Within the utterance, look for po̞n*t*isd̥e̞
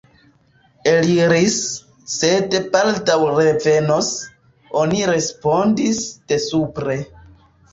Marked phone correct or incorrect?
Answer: incorrect: d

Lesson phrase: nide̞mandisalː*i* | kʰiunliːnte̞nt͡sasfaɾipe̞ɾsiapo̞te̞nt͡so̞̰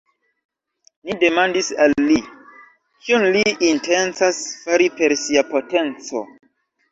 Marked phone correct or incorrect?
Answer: correct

